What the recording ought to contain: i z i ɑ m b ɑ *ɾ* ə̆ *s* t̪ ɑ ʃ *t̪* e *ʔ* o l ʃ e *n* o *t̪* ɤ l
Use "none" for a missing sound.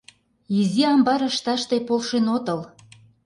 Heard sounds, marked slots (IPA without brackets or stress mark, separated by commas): ɾ, ʃ, t̪, p, n, t̪